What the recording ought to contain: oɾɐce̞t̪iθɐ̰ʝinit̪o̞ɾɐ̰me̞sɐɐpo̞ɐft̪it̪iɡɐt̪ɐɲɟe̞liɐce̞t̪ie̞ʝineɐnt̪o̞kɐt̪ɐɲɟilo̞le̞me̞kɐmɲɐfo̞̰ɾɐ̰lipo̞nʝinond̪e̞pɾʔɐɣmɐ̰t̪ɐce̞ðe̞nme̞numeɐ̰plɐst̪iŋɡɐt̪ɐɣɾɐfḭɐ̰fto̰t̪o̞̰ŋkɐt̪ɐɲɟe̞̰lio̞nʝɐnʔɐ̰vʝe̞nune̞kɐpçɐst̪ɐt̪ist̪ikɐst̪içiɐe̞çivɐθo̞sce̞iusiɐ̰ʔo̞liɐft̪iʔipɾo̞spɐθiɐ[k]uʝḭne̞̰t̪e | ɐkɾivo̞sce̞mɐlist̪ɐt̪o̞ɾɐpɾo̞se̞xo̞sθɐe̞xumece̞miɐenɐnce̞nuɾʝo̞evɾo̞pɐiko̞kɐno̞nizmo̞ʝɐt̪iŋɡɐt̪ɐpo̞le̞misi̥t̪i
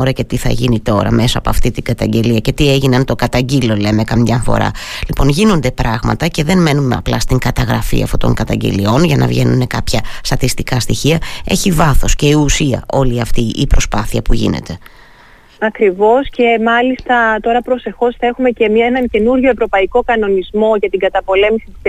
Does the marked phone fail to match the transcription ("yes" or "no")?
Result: yes